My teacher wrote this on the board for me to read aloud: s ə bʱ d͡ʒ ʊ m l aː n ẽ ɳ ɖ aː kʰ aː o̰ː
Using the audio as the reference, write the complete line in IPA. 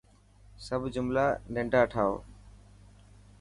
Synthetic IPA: s ə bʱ d͡ʒ ʊ m l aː n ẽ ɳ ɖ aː ʈʰ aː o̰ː